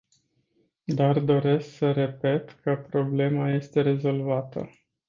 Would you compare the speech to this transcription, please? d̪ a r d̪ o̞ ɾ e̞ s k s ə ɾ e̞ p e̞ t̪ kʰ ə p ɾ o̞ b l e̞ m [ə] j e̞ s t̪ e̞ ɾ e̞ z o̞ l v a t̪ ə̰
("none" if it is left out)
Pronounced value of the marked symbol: a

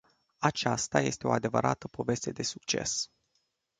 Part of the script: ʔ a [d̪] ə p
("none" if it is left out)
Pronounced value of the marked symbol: t̪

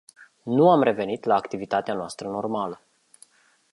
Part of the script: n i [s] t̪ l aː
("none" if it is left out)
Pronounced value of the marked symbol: none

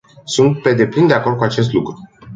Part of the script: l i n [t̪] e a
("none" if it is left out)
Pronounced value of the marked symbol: d̪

